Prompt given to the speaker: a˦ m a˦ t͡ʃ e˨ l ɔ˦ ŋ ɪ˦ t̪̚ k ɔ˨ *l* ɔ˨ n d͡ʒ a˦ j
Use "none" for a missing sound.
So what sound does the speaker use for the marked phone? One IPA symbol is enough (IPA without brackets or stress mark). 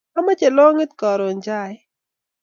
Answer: ɾ